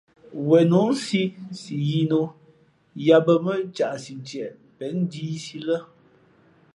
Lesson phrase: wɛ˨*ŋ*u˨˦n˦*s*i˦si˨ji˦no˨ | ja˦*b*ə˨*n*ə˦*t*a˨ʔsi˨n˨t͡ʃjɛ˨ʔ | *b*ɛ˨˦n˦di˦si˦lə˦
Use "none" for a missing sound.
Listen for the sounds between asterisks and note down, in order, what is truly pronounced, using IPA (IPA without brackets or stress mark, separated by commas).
n, s, b, m, t͡ʃ, p